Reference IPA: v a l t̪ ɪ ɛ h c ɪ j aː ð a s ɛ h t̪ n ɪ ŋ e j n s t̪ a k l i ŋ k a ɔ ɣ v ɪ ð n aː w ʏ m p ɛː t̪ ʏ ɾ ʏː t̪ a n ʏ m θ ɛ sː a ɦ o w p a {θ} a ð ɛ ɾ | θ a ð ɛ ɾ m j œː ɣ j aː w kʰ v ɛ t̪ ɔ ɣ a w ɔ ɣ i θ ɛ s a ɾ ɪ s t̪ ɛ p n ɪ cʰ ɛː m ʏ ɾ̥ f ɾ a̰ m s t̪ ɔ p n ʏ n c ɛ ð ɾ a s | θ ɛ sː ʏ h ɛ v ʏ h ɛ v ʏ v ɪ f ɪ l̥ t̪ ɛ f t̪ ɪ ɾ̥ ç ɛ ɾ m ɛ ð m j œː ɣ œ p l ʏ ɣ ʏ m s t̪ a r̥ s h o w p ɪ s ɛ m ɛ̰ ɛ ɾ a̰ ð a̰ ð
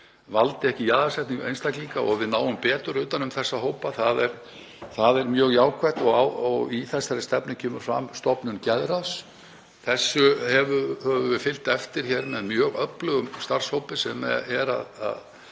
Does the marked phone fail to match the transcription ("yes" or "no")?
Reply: no